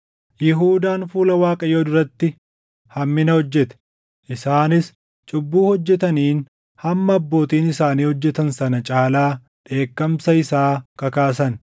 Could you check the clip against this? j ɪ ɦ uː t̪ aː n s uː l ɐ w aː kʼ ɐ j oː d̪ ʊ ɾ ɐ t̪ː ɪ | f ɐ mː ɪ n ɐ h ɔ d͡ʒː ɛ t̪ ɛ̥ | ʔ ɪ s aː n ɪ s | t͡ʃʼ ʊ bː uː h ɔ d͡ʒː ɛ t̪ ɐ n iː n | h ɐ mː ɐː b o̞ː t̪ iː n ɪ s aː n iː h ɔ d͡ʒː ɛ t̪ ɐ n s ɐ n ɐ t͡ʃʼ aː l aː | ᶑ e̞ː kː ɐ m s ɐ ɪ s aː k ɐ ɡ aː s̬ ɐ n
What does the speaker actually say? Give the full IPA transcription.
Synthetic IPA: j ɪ ɦ uː d̪ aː n f uː l ɐ w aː kʼ ɐ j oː d̪ ʊ ɾ ɐ t̪ː ɪ | h ɐ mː ɪ n ɐ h ɔ d͡ʒː ɛ t̪ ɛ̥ | ʔ ɪ s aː n ɪ s | t͡ʃʼ ʊ bː uː h ɔ d͡ʒː ɛ t̪ ɐ n iː n | h ɐ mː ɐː bː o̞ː t̪ iː n ɪ s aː n iː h ɔ d͡ʒː ɛ t̪ ɐ n s ɐ n ɐ t͡ʃʼ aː l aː | ᶑ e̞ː kː ɐ m s ɐ ɪ s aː k ɐ k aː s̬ ɐ n